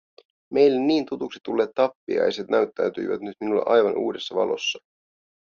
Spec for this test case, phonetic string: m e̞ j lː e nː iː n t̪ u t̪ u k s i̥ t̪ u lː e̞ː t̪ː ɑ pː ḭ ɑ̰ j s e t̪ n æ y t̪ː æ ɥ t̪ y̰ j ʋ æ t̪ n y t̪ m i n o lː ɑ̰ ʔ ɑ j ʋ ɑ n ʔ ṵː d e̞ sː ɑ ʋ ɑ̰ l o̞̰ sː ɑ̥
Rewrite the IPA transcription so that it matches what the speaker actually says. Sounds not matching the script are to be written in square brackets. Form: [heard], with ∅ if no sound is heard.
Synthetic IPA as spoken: m e̞ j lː e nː iː n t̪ u t̪ u k s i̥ t̪ u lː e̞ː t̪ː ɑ pː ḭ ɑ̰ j s e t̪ n æ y t̪ː æ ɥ t̪ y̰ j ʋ æ t̪ n y t̪ m i n [u] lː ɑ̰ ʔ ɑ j ʋ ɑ n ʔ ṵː d e̞ sː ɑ ʋ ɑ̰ l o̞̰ sː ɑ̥

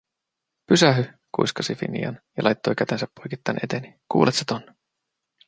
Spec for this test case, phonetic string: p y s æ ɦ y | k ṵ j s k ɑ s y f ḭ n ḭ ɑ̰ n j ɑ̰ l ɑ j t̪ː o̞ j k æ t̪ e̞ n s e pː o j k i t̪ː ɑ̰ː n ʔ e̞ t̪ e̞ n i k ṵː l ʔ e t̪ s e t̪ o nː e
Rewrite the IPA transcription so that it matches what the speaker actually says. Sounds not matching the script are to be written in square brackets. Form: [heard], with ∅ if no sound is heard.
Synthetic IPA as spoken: p y s æ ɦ y | k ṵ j s k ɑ s [i] f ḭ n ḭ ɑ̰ n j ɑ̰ l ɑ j t̪ː o̞ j k æ t̪ e̞ n s [æ] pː o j k i t̪ː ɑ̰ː n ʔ e̞ t̪ e̞ n i k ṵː l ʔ e t̪ s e t̪ o nː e

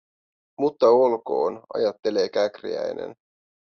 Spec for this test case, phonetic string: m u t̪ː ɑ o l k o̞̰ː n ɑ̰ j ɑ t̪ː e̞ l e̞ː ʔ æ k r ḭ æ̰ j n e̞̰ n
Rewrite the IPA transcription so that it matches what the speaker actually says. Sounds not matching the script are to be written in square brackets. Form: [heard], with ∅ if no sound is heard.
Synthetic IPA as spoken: m u t̪ː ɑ o l k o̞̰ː n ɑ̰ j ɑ t̪ː e̞ l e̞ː [k] æ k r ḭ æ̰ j n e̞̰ n

